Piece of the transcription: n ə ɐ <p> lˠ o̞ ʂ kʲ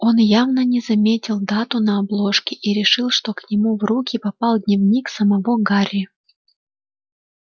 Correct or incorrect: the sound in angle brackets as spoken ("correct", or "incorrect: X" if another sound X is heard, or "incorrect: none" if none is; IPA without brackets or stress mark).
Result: incorrect: b